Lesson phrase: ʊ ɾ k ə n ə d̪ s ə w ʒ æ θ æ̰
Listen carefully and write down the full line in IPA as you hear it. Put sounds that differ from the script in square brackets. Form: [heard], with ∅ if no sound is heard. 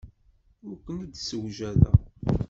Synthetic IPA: ʊ ɾ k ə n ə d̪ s ə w ʒ æ [ð] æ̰

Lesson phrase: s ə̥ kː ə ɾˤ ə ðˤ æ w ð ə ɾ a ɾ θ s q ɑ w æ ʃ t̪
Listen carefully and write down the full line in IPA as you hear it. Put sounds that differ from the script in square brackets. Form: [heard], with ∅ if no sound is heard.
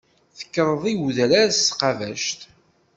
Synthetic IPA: [θ] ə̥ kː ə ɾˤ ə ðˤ [i] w ð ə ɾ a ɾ [s] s q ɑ [v] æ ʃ t̪

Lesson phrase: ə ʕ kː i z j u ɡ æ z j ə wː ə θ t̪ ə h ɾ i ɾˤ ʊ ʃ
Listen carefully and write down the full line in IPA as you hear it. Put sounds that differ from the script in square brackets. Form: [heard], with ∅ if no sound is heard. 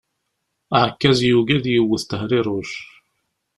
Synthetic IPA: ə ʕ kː [æ] z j u ɡ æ [ð] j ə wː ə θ t̪ ə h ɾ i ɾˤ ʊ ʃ

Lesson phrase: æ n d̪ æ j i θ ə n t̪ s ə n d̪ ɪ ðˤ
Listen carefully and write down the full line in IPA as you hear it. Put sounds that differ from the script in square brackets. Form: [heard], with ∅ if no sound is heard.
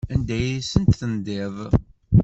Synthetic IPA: æ n d̪ æ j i [s] ə n t̪ [θ] ə n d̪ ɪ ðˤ

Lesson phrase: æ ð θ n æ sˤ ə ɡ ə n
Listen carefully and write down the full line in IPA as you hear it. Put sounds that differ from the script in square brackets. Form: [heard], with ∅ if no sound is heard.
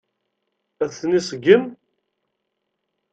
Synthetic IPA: æ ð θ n [i] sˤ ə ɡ ə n

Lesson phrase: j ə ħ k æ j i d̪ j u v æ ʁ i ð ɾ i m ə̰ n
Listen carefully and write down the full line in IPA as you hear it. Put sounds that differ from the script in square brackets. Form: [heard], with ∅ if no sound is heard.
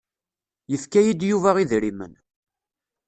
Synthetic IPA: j ə [f] k æ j i d̪ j u v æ ʁ i ð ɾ i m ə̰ n

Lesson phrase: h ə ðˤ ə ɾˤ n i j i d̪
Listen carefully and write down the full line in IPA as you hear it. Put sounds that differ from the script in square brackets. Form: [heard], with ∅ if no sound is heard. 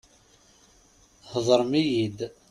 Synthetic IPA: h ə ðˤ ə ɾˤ [m] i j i d̪

